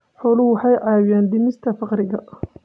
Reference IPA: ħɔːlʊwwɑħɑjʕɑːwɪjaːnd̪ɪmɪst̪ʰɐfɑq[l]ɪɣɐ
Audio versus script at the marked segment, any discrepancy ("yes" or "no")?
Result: yes